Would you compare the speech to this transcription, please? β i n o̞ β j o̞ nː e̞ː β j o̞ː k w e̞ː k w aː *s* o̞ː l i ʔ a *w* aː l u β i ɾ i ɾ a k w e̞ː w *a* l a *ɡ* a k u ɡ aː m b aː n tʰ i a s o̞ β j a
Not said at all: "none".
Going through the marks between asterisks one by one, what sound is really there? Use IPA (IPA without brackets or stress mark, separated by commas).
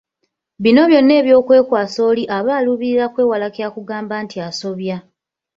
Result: s, β, a, k